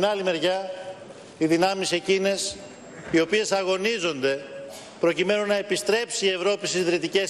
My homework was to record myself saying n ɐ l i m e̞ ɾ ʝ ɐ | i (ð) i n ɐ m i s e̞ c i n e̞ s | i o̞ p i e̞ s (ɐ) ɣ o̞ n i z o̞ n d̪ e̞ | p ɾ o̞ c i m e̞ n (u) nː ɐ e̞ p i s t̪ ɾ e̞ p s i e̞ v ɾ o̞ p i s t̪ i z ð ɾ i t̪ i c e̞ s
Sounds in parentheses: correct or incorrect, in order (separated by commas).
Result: correct, correct, correct